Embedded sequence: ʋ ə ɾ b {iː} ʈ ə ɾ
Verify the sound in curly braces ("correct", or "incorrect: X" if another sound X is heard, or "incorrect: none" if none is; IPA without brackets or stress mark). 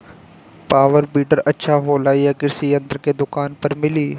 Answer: correct